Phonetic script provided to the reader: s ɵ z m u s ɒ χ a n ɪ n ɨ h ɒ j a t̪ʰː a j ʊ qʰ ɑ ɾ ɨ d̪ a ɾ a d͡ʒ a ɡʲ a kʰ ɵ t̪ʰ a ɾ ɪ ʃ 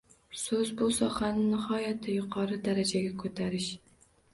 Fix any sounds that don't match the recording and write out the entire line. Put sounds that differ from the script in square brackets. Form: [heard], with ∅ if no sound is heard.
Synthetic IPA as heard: s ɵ z [b] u s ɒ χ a n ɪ n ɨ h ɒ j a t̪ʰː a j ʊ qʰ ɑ ɾ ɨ d̪ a ɾ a d͡ʒ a ɡʲ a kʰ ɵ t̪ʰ a ɾ ɪ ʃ